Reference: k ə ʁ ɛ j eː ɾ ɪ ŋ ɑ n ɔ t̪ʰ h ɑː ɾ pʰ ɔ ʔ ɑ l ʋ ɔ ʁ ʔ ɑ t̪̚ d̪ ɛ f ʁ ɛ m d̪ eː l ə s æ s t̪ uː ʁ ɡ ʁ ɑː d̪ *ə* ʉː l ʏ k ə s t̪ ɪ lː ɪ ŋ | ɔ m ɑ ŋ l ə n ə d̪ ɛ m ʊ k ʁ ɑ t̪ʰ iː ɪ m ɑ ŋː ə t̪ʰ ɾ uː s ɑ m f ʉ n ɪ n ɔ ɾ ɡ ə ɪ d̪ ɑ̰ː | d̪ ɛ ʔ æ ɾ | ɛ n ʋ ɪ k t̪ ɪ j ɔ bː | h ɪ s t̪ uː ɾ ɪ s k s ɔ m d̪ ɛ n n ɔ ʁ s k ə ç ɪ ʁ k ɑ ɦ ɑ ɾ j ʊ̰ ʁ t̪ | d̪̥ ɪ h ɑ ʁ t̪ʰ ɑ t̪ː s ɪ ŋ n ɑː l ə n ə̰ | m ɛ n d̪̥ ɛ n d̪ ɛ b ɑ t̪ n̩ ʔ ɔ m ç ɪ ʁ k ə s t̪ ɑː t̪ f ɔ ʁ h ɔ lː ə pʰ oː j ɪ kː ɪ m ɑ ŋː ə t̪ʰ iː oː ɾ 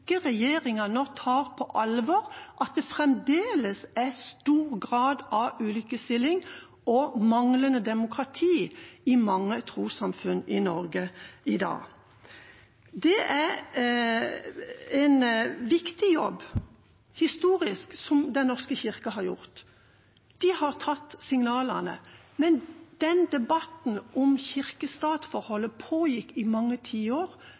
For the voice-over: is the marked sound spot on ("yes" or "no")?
no